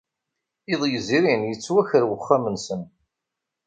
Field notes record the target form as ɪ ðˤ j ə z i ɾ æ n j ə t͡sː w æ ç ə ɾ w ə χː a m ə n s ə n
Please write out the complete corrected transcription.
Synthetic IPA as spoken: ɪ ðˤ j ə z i ɾ i n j ə t͡sː w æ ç ə ɾ w ə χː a m ə n s ə n

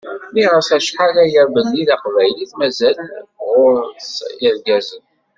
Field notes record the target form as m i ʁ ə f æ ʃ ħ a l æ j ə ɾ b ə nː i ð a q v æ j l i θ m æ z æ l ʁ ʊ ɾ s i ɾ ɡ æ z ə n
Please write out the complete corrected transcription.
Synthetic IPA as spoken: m i ʁ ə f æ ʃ ħ a l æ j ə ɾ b ə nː i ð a q v æ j l i θ m æ z æ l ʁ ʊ ɾ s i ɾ ɡ æ z ə n

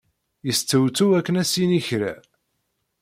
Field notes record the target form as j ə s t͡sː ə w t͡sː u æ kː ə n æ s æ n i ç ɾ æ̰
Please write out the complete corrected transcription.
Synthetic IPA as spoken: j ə s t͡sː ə w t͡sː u æ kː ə n æ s i n i ç ɾ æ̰

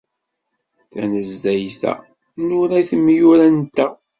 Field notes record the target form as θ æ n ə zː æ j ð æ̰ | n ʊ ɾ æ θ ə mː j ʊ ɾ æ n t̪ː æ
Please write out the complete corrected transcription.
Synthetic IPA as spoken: θ æ n ə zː æ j θ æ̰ | n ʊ ɾ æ θ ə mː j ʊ ɾ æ n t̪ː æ

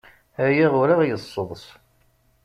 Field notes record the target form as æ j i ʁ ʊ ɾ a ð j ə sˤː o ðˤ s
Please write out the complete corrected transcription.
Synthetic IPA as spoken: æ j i ʁ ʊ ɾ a ʁ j ə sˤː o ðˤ s

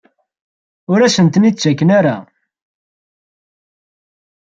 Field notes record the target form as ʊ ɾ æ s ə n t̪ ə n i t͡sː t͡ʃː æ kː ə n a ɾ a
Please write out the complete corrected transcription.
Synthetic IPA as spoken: ʊ ɾ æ s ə n t̪ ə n i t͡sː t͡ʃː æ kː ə n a ɾ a

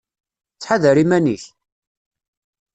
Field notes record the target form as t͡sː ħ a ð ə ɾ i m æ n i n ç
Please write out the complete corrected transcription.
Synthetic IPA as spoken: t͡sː ħ a ð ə ɾ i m æ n i ç

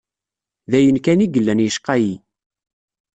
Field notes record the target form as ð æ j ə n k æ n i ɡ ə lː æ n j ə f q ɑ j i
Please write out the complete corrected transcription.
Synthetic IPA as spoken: ð æ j ə n k æ n i ɡ ə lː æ n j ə ʃ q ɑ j i

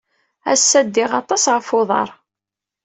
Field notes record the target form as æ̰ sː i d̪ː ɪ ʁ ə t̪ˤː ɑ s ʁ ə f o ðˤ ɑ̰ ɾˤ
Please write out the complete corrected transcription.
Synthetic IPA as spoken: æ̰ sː æ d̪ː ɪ ʁ ɑ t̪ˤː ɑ s ʁ ə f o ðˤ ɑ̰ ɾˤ

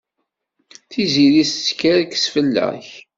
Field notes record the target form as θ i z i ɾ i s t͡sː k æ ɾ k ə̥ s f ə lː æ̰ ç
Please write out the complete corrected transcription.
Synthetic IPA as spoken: θ i z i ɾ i s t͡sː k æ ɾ k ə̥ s f ə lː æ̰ ç

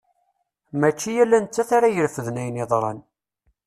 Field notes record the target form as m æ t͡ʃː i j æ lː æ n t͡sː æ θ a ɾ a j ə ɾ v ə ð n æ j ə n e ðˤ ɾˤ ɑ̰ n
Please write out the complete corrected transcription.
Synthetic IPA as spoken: m æ t͡ʃː i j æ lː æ n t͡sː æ θ a ɾ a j ə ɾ f ə ð n æ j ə n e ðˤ ɾˤ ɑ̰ n

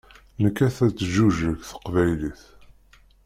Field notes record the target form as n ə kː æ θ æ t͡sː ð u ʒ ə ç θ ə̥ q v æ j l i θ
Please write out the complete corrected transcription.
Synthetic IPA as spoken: n ə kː æ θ æ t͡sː ʒ u ʒ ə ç θ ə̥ q v æ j l i θ

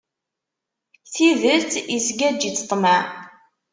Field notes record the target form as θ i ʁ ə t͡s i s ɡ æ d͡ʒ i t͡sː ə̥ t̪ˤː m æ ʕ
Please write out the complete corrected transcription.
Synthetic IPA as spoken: θ i ð ə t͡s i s ɡ æ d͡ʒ i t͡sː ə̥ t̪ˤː m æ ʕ

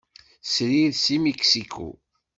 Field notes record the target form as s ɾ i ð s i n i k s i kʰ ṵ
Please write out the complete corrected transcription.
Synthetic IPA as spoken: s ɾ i ð s i m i k s i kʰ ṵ

